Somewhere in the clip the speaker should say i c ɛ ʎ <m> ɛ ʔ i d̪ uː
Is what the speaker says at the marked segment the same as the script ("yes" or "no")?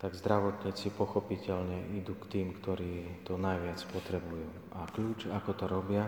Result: no